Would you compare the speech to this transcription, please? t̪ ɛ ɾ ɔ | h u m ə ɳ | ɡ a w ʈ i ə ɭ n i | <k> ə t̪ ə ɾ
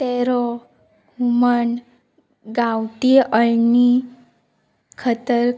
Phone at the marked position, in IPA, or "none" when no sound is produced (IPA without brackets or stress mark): kʰ